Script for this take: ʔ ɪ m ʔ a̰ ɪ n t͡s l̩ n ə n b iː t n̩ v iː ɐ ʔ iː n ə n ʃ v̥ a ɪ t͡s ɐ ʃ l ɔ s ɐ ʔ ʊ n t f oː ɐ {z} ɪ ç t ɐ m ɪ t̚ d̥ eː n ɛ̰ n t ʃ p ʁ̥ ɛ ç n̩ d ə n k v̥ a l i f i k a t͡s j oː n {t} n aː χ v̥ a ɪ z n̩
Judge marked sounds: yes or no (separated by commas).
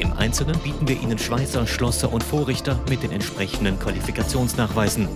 no, no